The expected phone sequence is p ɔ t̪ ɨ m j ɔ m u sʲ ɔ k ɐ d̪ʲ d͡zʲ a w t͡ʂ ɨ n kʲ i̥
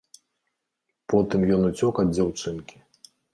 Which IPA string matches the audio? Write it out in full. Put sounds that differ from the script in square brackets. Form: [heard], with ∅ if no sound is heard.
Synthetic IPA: p ɔ t̪ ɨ m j ɔ [n] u [t͡sʲ] ɔ k ɐ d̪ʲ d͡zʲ a w t͡ʂ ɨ n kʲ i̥